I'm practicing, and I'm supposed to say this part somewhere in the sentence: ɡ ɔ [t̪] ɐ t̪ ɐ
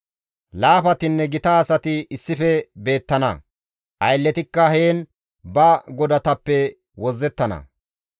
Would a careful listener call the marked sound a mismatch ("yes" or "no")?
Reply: yes